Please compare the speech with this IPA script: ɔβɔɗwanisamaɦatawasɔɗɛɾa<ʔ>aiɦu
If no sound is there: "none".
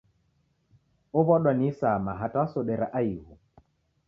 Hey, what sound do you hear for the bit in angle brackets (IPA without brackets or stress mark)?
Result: ʔ